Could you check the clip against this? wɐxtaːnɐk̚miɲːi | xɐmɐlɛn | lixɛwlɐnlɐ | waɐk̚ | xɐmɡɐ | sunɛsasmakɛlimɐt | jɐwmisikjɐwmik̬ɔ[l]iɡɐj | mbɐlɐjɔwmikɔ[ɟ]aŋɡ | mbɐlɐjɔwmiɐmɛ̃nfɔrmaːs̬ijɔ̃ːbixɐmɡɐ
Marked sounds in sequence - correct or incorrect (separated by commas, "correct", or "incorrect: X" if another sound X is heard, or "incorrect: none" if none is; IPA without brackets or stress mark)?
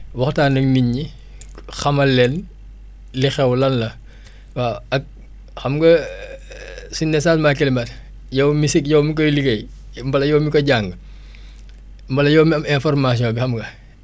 correct, correct